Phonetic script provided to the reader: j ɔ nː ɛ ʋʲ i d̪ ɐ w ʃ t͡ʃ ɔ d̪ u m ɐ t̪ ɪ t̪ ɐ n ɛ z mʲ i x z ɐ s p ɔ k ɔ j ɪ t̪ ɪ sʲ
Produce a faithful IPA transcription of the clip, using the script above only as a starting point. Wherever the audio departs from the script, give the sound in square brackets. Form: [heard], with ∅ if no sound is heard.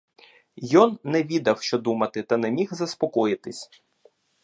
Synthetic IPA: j ɔ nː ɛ ʋʲ i d̪ ɐ w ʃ t͡ʃ ɔ d̪ u m ɐ t̪ ɪ t̪ ɐ n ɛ [∅] mʲ i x z ɐ s p ɔ k ɔ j ɪ t̪ ɪ sʲ